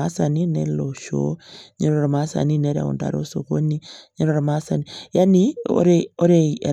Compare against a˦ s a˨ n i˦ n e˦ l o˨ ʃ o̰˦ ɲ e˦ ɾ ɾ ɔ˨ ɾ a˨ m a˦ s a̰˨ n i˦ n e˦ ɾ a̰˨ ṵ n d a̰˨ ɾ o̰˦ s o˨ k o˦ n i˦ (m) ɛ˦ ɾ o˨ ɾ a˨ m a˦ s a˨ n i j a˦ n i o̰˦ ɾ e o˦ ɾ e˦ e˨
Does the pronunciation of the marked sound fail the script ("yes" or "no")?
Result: yes